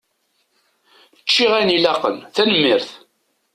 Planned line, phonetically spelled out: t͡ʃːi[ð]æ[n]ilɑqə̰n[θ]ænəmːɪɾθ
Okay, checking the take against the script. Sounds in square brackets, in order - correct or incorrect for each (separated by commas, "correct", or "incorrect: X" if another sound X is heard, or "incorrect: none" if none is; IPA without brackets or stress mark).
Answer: incorrect: ʁ, correct, correct